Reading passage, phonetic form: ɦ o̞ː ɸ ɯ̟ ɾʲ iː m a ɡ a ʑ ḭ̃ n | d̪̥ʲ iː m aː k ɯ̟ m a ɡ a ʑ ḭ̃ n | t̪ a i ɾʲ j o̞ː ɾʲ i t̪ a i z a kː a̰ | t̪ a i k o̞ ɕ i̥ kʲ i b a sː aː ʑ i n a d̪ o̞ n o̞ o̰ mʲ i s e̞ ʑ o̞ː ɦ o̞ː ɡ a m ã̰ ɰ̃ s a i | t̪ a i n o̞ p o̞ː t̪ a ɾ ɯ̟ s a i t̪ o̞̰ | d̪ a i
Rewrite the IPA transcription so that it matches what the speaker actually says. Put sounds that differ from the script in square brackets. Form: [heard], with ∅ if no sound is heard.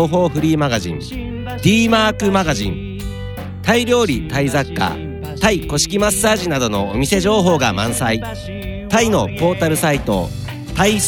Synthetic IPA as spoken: ɦ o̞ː ɸ ɯ̟ ɾʲ iː m a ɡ a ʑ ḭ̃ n | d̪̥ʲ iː m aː k ɯ̟ m a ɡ a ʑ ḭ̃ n | t̪ a i ɾʲ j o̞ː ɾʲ i t̪ a i z a kː a̰ | t̪ a i k o̞ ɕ i̥ kʲ i [m] a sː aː ʑ i n a d̪ o̞ n o̞ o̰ mʲ i s e̞ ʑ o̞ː ɦ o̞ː ɡ a m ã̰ ɰ̃ s a i | t̪ a i n o̞ p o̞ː t̪ a ɾ ɯ̟ s a i t̪ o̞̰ | [t̪] a i